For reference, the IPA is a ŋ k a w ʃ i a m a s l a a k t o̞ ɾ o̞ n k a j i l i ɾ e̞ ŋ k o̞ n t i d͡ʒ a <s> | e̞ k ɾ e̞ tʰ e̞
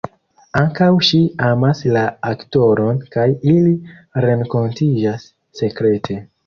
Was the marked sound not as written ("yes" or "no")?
yes